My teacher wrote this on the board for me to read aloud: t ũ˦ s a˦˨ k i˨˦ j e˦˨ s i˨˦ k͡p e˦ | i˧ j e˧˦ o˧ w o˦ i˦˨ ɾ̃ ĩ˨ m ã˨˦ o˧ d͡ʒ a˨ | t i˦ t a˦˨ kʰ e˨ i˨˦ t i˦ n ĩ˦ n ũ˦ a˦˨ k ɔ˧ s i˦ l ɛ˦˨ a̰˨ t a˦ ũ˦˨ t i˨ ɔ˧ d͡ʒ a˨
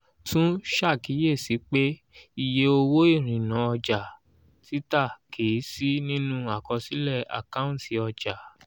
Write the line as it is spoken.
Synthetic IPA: t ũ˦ ʃ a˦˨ k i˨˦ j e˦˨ s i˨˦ k͡p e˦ | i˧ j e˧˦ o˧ w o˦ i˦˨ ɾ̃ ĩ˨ n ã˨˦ ɔ˧ d͡ʒ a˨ | t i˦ t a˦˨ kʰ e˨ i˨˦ s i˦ n ĩ˦ n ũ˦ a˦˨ k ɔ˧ s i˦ l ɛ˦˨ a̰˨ k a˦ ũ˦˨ t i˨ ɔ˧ d͡ʒ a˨